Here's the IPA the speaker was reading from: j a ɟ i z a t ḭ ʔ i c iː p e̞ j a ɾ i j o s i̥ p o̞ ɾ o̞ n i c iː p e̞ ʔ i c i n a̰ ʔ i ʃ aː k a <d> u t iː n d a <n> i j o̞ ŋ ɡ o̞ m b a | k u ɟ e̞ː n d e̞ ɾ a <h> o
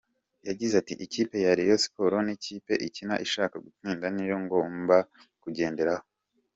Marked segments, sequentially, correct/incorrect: incorrect, correct, correct

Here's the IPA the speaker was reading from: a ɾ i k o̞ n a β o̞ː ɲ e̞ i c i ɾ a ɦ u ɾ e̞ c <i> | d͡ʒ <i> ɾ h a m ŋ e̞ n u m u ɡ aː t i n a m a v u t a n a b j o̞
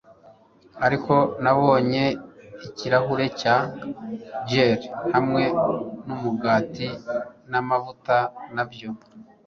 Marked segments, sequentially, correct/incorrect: incorrect, incorrect

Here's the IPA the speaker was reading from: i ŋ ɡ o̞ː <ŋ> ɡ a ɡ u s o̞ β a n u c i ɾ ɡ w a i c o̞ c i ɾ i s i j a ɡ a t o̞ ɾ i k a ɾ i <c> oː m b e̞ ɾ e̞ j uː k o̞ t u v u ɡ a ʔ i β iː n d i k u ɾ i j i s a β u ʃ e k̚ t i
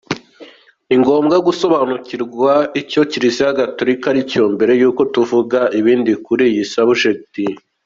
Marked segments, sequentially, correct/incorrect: incorrect, correct

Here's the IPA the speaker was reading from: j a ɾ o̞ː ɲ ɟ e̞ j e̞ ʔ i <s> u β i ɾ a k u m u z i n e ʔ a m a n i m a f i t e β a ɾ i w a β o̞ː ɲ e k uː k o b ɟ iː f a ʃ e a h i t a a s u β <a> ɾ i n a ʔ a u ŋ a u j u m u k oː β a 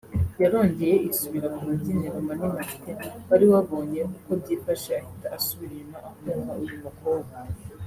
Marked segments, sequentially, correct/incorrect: correct, incorrect

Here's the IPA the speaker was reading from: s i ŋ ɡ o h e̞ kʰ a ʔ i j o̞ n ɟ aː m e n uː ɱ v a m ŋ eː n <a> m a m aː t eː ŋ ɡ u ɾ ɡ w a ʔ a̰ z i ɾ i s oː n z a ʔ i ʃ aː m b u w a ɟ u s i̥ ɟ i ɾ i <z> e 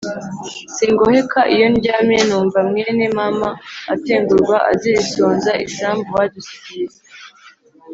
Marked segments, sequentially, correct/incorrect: incorrect, correct

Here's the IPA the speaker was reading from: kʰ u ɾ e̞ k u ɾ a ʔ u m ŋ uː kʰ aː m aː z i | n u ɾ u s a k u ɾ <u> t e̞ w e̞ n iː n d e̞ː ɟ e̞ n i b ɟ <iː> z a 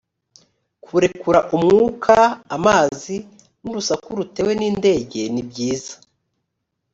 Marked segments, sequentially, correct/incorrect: correct, correct

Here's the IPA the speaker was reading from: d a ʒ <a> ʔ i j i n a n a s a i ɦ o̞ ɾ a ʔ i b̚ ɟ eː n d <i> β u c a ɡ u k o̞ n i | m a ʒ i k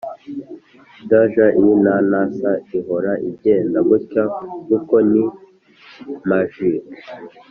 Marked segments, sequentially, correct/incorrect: correct, incorrect

